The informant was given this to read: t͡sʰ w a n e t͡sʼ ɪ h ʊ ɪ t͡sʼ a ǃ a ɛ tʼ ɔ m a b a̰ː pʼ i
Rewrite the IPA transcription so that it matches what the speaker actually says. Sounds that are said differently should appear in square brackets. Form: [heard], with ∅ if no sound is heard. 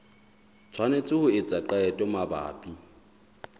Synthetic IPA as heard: t͡sʰ w a n e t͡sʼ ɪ h ʊ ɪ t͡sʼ a ǃ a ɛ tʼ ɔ m a b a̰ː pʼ i